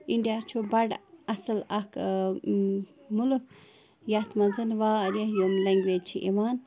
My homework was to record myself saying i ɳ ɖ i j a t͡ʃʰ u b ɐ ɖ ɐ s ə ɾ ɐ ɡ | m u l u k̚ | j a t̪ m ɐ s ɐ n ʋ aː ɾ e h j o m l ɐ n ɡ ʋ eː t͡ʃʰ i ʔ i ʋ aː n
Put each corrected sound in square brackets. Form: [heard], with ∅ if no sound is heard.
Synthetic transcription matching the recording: i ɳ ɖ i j a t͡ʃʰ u b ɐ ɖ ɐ s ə [l] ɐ [k] | m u l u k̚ | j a t̪ m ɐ [z] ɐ n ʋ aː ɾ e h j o m l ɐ [ŋ] ɡ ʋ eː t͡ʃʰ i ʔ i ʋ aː n

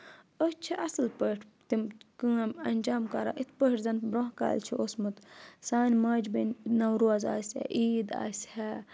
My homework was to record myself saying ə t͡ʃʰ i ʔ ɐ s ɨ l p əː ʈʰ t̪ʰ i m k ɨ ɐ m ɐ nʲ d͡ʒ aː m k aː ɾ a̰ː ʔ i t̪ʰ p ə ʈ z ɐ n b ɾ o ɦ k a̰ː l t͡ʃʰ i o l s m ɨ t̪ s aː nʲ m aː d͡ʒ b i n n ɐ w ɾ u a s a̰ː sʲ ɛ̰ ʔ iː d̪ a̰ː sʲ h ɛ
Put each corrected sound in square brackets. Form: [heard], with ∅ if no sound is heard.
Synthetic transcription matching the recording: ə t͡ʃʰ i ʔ ɐ s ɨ l p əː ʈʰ [t̪] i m k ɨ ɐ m ɐ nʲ d͡ʒ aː m k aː ɾ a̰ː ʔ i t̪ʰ p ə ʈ z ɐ n b ɾ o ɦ k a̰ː l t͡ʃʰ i o [∅] s m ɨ t̪ s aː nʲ m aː d͡ʒ b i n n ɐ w ɾ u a [z] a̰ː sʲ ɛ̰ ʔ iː d̪ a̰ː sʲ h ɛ

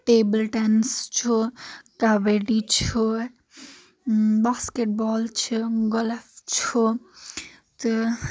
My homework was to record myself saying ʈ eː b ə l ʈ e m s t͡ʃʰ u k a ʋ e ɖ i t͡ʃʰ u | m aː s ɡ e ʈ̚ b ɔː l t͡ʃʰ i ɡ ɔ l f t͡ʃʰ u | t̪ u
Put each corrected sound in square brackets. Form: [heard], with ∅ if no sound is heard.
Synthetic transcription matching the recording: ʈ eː b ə l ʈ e [n] s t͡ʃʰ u k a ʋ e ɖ i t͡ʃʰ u | [b] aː s [k] e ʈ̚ b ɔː l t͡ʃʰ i ɡ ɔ l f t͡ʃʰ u | t̪ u

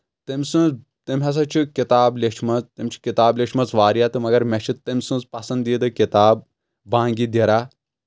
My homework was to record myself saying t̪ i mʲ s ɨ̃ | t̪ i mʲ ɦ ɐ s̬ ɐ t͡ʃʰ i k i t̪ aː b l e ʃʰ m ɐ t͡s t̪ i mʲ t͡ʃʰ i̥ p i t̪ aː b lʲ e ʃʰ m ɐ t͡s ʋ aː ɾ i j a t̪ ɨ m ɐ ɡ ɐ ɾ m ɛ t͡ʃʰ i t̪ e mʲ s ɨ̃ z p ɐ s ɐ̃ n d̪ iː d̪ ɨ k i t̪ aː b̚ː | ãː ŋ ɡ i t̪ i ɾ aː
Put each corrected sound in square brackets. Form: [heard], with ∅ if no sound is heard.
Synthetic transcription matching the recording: t̪ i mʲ s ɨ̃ | t̪ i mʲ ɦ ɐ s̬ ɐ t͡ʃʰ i k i t̪ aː b l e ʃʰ m ɐ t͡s t̪ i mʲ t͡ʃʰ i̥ [k] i t̪ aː b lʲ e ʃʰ m ɐ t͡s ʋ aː ɾ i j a t̪ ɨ m ɐ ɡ ɐ ɾ m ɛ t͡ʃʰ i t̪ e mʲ s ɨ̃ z p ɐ s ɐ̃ n d̪ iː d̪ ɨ k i t̪ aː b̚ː | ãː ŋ ɡ i [d̪] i ɾ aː

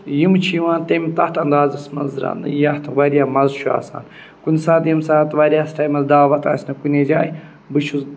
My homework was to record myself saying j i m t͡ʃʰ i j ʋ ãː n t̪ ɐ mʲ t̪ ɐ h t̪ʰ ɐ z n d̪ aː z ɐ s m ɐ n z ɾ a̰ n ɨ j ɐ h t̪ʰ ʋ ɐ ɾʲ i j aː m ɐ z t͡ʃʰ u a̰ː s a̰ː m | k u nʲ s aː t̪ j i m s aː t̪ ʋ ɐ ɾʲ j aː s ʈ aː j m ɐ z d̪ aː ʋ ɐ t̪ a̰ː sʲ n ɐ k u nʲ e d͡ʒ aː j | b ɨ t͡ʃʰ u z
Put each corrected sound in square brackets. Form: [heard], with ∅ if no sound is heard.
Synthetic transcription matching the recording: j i m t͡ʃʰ i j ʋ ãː n t̪ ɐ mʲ t̪ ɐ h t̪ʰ ɐ [∅] n d̪ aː z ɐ s m ɐ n z ɾ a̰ n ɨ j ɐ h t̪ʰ ʋ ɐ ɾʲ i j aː m ɐ z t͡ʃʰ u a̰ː s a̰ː [n] | k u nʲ s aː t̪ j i m s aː t̪ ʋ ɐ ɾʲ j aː s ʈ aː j m ɐ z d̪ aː ʋ ɐ t̪ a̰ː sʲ n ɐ k u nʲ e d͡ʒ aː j | b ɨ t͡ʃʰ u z

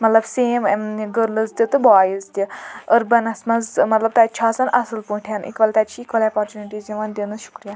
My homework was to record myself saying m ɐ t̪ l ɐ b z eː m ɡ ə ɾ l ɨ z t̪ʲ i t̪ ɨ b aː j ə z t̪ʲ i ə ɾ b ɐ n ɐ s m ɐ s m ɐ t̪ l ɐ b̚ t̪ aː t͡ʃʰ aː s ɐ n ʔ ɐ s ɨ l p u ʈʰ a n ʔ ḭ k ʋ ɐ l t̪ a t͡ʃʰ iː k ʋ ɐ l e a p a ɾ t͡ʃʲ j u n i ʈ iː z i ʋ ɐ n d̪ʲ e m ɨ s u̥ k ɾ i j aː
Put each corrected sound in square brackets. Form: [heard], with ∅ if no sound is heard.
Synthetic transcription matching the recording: m ɐ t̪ l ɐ b [s] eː m ɡ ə ɾ l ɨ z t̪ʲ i t̪ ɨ b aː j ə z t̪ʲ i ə ɾ b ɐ n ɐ s m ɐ [z] m ɐ t̪ l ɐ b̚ t̪ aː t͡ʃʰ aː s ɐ n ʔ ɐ s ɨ l p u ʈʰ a n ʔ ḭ k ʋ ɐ l t̪ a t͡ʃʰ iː k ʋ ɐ l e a p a ɾ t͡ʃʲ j u n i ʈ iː z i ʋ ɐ n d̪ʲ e [n] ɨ [ʃ] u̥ k ɾ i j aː

